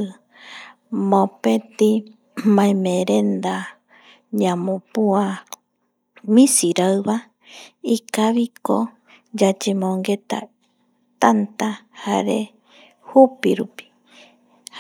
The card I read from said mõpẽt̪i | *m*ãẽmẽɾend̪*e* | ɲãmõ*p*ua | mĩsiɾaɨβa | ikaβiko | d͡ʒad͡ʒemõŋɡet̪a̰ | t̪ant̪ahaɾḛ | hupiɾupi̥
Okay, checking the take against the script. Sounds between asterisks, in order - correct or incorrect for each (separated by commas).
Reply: correct, incorrect, correct